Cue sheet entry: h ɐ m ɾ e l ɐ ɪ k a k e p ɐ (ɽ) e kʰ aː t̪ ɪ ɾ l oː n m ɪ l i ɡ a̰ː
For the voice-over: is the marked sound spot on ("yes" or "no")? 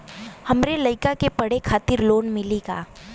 yes